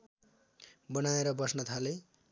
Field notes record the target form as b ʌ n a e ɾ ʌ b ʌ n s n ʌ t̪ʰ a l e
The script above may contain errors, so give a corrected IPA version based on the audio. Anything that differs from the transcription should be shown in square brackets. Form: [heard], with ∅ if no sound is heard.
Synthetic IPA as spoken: b ʌ n a e ɾ ʌ b ʌ [∅] s n ʌ t̪ʰ a l e